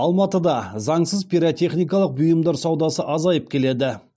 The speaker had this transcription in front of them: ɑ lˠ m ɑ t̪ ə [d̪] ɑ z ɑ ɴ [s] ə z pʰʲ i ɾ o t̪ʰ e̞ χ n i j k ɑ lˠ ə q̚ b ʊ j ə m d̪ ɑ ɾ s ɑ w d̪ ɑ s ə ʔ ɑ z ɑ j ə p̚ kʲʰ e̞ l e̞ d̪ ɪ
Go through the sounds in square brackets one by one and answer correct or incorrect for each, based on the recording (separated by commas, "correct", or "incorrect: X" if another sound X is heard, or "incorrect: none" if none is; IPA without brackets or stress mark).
correct, correct